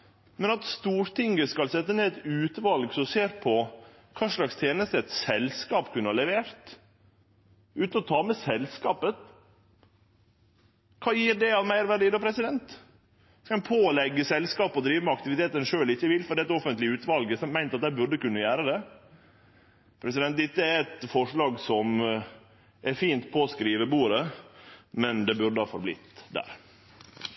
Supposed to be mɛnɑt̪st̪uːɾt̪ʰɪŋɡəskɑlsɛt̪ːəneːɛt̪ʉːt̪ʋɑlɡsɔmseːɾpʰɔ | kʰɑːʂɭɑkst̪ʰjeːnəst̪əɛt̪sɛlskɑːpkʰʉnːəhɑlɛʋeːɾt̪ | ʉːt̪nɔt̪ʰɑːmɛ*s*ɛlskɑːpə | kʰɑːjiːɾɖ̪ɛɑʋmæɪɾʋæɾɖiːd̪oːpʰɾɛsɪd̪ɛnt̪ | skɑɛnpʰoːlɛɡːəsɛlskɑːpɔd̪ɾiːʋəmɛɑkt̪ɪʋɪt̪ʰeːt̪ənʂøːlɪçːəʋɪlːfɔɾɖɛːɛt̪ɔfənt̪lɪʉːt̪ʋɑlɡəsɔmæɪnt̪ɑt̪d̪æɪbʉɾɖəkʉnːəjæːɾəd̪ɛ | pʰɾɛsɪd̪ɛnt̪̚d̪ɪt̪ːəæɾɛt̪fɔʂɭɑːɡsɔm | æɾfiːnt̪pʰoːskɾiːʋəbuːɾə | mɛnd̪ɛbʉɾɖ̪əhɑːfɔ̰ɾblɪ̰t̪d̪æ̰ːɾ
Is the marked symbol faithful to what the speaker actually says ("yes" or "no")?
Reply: yes